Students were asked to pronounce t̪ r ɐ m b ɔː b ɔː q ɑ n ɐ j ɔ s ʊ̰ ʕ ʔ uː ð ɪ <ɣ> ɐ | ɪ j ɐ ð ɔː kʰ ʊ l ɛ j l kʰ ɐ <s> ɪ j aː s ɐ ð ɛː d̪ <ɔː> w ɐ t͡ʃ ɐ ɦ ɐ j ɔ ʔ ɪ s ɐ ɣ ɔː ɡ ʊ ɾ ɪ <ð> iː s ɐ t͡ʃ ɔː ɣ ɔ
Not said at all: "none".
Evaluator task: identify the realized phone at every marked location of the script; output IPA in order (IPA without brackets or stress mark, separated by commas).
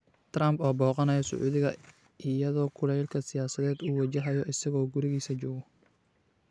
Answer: ɣ, s, uː, ɣ